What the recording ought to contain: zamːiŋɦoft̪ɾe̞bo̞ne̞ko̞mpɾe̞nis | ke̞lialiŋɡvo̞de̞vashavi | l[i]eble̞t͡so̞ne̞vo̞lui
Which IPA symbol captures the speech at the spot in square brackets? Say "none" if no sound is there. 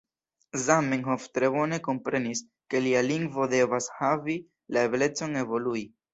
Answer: a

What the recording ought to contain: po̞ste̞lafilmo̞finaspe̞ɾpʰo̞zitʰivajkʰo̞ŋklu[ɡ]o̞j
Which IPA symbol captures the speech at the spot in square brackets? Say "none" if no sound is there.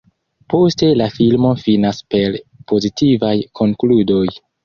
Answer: d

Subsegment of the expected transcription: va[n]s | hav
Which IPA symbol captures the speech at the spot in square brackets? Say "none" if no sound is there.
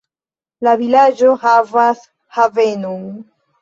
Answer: none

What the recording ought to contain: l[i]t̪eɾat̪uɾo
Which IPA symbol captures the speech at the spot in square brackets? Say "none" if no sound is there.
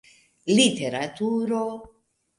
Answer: i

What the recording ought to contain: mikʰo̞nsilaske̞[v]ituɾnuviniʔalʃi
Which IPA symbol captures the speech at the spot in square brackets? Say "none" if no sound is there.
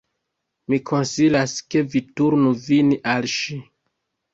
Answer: v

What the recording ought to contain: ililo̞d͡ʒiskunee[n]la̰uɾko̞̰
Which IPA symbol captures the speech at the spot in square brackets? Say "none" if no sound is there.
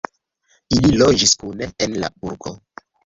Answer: n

